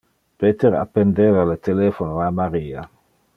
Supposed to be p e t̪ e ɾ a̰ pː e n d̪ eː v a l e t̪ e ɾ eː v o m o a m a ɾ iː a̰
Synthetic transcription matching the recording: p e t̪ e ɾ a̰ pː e n d̪ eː v a l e t̪ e l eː f o n o a m a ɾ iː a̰